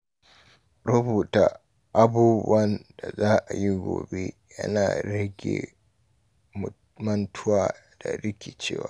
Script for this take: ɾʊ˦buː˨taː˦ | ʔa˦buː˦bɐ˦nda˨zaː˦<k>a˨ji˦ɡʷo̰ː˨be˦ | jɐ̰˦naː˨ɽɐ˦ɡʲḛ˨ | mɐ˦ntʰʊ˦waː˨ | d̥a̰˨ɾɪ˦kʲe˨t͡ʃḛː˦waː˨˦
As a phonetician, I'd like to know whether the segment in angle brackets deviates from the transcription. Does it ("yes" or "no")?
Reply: yes